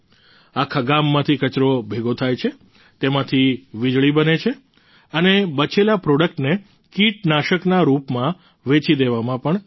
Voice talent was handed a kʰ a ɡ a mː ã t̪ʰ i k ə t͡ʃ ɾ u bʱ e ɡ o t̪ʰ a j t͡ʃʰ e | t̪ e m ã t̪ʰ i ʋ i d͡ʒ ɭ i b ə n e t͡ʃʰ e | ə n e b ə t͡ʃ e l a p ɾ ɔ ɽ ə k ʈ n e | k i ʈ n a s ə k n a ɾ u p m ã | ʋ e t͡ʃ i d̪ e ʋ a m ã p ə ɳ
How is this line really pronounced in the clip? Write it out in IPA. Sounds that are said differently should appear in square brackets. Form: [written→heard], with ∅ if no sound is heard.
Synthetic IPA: a kʰ a ɡ a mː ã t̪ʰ i k ə t͡ʃ ɾ [u→o] bʱ e ɡ o t̪ʰ a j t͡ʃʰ e | t̪ e m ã t̪ʰ i ʋ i d͡ʒ ɭ i b ə n e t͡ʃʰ e | ə n e b ə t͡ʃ e l a p ɾ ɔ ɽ ə k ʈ n e | k i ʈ n a [s→ʃ] ə k n a ɾ u p m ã | ʋ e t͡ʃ i d̪ e ʋ a m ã p ə ɳ